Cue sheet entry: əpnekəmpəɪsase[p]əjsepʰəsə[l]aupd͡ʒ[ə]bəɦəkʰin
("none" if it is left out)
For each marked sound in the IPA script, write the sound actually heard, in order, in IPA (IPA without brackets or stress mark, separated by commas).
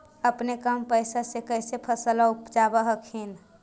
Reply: k, l, a